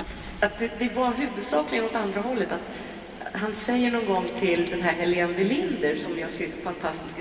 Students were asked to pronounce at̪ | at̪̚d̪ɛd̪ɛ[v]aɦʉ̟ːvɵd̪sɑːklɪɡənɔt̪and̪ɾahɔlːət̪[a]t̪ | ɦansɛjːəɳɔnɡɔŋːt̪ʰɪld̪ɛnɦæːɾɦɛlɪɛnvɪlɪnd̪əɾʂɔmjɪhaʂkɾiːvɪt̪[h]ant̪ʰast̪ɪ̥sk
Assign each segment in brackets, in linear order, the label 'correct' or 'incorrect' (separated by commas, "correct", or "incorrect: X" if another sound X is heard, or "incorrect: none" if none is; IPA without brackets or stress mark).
correct, correct, incorrect: f